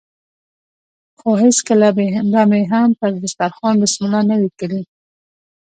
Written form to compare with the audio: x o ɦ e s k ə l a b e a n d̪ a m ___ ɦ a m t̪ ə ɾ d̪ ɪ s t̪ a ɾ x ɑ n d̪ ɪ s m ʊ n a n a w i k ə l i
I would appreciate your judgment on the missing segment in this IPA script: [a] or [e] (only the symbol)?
e